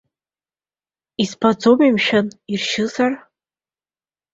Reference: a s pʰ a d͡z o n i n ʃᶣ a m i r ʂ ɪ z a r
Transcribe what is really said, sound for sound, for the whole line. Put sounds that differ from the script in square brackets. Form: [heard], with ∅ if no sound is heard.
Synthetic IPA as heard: [i] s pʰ a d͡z o [m] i [m] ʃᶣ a [n] i r [ʃ] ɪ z a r